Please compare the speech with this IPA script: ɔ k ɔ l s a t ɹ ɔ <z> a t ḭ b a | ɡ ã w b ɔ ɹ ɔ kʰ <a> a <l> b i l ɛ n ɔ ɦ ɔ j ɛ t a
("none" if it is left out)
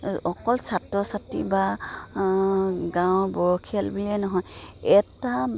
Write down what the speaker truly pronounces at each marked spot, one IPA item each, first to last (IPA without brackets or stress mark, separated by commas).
s, i, l